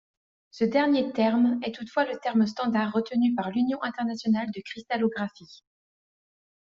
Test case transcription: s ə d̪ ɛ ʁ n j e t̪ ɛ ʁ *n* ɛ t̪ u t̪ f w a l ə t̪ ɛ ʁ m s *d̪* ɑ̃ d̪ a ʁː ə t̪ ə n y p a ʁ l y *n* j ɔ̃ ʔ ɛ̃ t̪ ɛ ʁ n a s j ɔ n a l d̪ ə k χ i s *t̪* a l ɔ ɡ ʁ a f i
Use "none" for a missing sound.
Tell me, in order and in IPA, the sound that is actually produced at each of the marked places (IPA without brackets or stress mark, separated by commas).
m, t̪, n, t̪